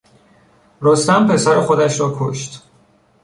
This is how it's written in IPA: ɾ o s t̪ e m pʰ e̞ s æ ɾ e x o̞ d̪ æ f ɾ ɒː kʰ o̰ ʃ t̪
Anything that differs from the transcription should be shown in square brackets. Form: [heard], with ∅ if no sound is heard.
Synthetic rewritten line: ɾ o s t̪ [æ] m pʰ e̞ s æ ɾ e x o̞ d̪ æ [ʃ] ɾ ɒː kʰ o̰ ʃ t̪

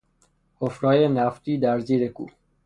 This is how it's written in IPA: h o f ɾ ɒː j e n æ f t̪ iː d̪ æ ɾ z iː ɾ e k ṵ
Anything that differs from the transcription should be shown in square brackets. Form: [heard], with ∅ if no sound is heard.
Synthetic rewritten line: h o f ɾ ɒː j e n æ f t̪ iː d̪ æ ɾ z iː ɾ e k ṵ

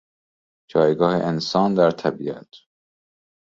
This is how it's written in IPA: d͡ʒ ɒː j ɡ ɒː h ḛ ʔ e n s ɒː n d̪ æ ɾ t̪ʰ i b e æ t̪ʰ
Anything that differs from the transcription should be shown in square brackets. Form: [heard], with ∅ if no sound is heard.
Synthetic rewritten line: d͡ʒ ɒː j ɡ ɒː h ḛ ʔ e n s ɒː n d̪ æ ɾ t̪ʰ [æ] b [i] æ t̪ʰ

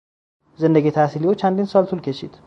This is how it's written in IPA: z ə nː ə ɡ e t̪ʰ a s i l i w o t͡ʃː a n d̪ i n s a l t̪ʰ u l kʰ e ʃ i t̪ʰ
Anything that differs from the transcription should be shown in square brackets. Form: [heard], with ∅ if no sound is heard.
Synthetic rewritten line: z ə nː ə ɡ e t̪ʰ a s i l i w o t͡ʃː a n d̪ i n s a l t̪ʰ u l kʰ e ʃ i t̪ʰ

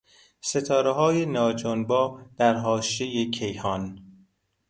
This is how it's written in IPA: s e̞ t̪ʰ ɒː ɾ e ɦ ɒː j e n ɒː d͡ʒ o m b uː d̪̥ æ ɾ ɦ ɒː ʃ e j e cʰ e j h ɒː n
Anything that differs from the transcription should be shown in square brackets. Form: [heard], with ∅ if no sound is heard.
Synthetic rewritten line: s e̞ t̪ʰ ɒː ɾ e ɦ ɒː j e n ɒː d͡ʒ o [n] b [ɒː] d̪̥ æ ɾ ɦ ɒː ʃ e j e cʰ e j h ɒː n

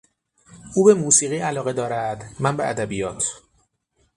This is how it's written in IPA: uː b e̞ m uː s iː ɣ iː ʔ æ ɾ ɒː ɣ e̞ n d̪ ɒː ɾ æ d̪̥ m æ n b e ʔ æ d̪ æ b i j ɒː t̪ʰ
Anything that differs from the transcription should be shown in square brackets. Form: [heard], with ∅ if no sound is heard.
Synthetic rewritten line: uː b e̞ m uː s iː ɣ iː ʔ æ [l] ɒː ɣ e̞ [∅] d̪ ɒː ɾ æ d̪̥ m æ n b e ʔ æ d̪ æ b i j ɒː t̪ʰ

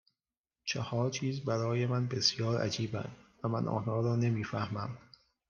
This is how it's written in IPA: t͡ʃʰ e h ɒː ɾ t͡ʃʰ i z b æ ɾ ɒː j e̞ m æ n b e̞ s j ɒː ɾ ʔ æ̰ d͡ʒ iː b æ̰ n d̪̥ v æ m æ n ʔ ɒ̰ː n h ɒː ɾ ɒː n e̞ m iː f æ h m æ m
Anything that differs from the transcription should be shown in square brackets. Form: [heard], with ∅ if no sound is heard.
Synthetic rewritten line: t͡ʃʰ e h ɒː ɾ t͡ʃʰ [iː] z b æ ɾ ɒː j e̞ m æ n b e̞ s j ɒː ɾ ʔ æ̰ d͡ʒ iː b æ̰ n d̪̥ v æ m æ n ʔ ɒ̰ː n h ɒː ɾ ɒː n e̞ m iː f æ h m æ m

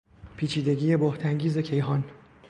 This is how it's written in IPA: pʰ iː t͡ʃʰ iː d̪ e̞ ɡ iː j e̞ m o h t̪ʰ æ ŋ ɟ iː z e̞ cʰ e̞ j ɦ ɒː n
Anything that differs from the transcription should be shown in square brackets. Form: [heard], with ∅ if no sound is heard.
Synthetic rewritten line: pʰ iː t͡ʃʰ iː d̪ e̞ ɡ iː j e̞ [b] o h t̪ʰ æ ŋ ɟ iː z e̞ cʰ e̞ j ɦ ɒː n

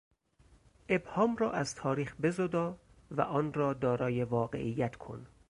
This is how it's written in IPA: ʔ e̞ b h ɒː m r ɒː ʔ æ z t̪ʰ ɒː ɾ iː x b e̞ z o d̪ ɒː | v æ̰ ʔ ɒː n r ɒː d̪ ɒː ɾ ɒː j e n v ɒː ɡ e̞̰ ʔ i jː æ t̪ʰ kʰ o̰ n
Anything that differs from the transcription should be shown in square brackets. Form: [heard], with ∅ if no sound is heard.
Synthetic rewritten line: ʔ e̞ b h ɒː m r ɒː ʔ æ z t̪ʰ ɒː ɾ iː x b e̞ z o d̪ ɒː | v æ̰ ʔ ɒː n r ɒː d̪ ɒː ɾ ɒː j e [∅] v ɒː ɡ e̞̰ ʔ i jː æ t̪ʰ kʰ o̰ n

